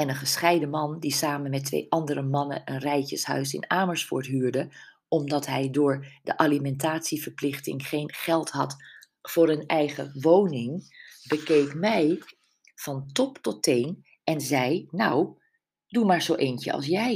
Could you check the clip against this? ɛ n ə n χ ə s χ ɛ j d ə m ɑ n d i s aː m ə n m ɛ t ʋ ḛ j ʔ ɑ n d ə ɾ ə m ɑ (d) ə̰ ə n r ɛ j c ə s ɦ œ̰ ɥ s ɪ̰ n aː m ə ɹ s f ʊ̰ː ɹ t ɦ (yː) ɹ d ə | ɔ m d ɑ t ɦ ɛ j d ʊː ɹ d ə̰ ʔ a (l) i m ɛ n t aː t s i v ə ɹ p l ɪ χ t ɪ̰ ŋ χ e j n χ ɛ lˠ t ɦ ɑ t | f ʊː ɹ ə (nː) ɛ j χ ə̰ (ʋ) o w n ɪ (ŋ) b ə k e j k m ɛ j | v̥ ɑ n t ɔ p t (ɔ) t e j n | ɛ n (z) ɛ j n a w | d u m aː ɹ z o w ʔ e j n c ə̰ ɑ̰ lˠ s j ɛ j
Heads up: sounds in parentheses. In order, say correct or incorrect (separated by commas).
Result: incorrect, correct, correct, incorrect, correct, correct, correct, correct